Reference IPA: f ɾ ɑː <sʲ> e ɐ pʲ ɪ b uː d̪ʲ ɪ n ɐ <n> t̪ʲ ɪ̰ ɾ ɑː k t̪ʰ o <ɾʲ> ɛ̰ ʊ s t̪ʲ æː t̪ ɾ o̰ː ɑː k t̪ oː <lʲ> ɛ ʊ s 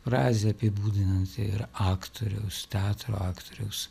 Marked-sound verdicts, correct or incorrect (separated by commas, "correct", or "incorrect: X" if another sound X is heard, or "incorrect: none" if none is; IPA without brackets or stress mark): incorrect: zʲ, correct, correct, incorrect: ɾʲ